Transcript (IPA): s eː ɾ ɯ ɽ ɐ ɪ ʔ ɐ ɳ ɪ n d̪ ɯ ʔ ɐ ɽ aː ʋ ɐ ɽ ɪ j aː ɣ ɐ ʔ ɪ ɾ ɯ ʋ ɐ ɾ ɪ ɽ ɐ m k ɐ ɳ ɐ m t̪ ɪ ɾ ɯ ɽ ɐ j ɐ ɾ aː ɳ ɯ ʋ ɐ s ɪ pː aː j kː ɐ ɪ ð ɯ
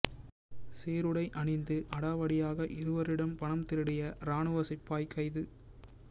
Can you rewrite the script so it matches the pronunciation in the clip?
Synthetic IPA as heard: s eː ɾ ɯ ɽ ɐ ɪ ʔ ɐ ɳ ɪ n d̪ ɯ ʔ ɐ ɽ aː ʋ ɐ ɽ ɪ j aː ɣ ɐ ʔ ɪ ɾ ɯ ʋ ɐ ɾ ɪ ɽ ɐ m p ɐ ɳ ɐ m t̪ ɪ ɾ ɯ ɽ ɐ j ɐ ɾ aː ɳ ɯ ʋ ɐ s ɪ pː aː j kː ɐ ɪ ð ɯ